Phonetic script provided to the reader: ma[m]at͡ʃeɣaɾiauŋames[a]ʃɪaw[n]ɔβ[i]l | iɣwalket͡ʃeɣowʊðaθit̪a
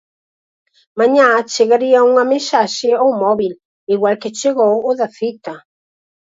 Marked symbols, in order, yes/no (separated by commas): no, yes, no, yes